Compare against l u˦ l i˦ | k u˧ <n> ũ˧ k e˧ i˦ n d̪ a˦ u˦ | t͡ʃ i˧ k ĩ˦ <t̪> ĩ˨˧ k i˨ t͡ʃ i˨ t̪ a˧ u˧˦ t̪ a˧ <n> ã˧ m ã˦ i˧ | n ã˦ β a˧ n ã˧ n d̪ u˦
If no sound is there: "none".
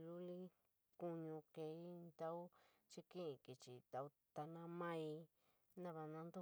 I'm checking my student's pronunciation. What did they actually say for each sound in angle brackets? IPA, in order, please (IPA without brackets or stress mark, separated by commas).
ɲ, none, n